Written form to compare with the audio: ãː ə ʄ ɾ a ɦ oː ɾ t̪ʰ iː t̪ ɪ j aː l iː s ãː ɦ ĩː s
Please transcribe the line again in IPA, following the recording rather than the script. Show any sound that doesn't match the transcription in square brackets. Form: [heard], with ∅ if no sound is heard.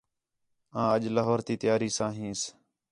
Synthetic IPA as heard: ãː ə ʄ [l] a ɦ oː ɾ [t̪] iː t̪ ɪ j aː [ɾ] iː s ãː ɦ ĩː s